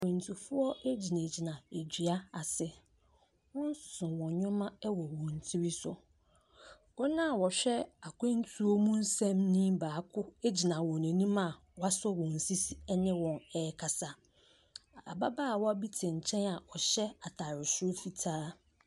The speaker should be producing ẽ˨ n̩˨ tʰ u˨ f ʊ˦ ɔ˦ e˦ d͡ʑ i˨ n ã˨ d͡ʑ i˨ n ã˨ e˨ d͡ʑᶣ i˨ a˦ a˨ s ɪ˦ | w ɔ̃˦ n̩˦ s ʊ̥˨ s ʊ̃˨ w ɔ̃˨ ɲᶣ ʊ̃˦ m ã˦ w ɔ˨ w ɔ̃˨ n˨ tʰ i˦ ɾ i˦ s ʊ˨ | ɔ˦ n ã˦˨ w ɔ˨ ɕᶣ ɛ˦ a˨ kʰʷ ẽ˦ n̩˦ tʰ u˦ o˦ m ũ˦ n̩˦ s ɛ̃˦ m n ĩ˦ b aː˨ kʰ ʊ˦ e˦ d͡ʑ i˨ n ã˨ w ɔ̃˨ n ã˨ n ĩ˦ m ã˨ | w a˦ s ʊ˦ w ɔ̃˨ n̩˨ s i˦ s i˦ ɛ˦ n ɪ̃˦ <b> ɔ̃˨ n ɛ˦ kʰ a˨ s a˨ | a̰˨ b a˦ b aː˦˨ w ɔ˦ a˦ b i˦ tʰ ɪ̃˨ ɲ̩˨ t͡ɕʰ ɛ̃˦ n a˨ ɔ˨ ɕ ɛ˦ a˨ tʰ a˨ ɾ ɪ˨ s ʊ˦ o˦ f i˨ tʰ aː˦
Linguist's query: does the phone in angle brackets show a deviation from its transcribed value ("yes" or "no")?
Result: yes